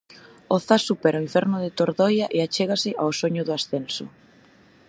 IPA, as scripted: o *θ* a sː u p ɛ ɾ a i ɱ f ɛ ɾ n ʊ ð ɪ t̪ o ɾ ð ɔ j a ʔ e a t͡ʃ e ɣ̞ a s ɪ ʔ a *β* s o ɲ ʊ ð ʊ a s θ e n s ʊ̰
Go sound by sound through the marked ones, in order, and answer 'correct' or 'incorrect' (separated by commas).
correct, incorrect